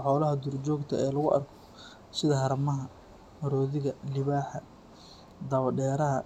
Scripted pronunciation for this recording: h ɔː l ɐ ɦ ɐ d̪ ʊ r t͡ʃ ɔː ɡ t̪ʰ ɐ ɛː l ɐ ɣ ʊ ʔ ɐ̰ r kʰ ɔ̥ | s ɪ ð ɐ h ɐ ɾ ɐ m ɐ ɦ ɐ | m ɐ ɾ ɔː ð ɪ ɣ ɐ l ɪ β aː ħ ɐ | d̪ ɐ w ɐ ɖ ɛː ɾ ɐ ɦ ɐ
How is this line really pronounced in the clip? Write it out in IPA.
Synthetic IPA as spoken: ħ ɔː l ɐ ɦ ɐ d̪ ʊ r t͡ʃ ɔː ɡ t̪ʰ ɐ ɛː l ɐ ɣ ʊ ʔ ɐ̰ r kʰ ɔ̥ | s ɪ ð ɐ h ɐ ɾ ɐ m ɐ ɦ ɐ | m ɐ ɾ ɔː ð ɪ ɣ ɐ l ɪ β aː ħ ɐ | d̪ ɐ β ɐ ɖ ɛː ɾ ɐ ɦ ɐ